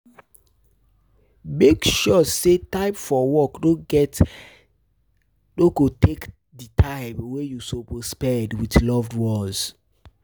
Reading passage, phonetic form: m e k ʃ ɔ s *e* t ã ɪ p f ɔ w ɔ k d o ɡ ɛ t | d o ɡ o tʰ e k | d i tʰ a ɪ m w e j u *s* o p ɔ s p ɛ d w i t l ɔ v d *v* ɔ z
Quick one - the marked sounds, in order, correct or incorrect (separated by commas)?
correct, correct, incorrect